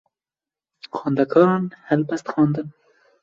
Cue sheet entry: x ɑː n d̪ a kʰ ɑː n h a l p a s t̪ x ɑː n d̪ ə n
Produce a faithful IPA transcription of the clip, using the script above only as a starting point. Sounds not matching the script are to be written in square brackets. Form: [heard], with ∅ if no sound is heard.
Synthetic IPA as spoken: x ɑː n d̪ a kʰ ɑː n h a l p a s t̪ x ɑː n d̪ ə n